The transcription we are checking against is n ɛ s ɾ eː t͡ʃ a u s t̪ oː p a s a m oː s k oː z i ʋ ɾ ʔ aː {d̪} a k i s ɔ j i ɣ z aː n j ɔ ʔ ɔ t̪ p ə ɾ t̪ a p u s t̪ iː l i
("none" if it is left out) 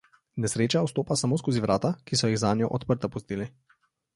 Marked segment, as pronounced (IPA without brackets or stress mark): t̪